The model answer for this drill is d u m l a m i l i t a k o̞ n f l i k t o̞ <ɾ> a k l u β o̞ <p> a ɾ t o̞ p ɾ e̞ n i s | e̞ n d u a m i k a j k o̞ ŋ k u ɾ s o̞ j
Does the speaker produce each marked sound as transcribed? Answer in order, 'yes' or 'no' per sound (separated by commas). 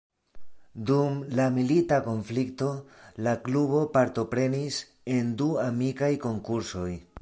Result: no, yes